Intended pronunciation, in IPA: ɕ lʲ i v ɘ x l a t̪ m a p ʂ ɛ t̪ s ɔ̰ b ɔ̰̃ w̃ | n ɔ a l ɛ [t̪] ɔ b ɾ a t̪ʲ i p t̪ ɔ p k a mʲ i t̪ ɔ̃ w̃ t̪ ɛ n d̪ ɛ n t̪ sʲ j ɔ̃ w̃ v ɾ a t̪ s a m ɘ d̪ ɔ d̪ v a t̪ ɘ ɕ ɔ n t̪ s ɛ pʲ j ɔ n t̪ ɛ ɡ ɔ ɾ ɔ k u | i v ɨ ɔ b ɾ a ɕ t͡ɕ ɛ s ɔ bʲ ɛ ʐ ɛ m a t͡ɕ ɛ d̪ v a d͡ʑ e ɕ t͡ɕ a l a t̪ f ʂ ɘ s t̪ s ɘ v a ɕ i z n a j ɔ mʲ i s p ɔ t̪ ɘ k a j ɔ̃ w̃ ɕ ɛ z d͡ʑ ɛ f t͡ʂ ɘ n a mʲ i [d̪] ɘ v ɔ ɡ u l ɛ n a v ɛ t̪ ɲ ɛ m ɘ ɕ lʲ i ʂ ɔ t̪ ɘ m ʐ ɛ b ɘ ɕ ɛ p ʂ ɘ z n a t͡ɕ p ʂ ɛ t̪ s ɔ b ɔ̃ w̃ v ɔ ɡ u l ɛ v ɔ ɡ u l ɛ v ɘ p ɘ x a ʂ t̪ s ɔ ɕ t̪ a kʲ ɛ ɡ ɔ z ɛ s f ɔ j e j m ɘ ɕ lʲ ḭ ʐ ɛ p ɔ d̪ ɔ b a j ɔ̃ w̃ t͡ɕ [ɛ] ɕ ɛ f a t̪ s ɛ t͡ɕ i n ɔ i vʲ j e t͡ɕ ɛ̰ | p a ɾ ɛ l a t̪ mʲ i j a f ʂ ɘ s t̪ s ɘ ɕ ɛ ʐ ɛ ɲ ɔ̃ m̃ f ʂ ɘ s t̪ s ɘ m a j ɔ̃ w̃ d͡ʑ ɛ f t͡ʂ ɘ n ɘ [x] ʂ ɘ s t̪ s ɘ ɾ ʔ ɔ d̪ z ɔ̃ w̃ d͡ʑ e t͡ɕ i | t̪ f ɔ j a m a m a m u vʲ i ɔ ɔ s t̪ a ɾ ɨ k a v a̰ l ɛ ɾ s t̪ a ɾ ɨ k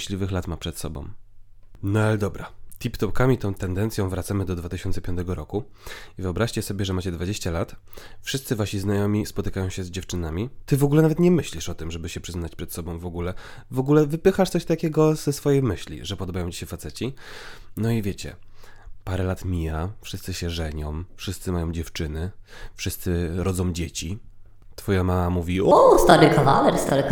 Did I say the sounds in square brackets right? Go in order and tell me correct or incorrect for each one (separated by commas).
incorrect, incorrect, incorrect, incorrect